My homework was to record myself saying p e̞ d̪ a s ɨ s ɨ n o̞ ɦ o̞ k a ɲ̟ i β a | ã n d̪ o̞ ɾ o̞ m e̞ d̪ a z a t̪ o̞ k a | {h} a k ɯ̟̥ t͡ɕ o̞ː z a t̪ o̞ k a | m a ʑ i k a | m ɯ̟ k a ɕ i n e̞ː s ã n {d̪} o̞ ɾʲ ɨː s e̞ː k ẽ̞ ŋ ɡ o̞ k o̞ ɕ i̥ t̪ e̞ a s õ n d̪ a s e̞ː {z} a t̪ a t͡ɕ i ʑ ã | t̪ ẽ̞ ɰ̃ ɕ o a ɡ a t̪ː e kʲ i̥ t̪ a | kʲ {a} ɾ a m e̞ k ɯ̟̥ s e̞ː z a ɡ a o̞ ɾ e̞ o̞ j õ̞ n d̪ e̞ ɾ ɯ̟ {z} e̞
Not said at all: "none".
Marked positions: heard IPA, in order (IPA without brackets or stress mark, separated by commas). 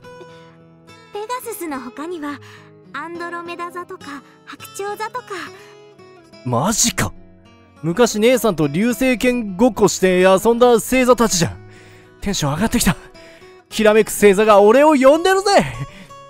h, t̪, z, i, z